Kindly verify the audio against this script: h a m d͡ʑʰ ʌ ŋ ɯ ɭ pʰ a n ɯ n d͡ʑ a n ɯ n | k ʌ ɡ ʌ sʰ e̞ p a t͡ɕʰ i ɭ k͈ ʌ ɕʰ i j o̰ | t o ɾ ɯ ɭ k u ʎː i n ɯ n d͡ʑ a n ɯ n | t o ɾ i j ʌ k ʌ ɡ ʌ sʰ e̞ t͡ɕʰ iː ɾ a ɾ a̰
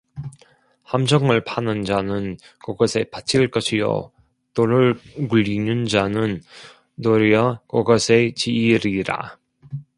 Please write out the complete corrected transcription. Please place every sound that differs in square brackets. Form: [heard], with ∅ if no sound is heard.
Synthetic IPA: h a m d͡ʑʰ ʌ ŋ ɯ ɭ pʰ a n ɯ n d͡ʑ a n ɯ n | k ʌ ɡ ʌ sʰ e̞ p a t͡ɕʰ i ɭ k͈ ʌ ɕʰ i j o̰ | t o ɾ ɯ ɭ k u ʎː i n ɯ n d͡ʑ a n ɯ n | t o ɾ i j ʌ k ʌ ɡ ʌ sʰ e̞ [t͡ɕ] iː ɾ [i] ɾ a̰